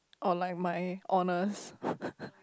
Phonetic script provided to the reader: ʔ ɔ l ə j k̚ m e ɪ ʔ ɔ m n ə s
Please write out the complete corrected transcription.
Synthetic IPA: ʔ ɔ l a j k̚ m a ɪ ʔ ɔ n ə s